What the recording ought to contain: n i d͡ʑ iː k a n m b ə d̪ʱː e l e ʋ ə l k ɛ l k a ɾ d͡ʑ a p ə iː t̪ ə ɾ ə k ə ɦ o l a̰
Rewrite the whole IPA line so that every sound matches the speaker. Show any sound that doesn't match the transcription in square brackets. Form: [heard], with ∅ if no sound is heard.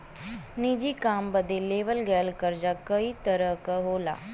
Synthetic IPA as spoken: n i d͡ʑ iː k a [∅] m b ə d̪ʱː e l e ʋ ə l [ɡ] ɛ l k [ə] ɾ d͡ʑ a [k] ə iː t̪ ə ɾ ə k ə ɦ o l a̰